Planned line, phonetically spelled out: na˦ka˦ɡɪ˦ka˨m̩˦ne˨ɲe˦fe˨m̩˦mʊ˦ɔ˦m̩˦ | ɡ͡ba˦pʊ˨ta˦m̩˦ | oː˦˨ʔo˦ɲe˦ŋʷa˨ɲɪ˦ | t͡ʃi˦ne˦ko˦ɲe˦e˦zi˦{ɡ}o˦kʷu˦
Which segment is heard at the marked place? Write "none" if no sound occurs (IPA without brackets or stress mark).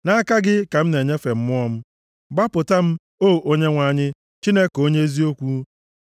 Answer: none